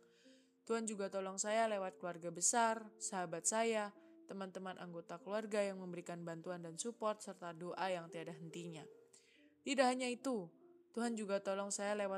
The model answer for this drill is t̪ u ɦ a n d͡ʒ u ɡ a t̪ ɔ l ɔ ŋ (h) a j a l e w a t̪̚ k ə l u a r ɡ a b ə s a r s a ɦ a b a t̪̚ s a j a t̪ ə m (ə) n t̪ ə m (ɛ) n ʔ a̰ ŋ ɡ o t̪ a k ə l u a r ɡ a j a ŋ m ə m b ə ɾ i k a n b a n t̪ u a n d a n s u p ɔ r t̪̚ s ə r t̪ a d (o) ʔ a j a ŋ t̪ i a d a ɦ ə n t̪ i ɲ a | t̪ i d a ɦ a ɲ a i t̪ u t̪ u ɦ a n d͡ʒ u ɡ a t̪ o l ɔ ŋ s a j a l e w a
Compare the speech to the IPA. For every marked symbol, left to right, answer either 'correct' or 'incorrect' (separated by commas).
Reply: incorrect, incorrect, incorrect, correct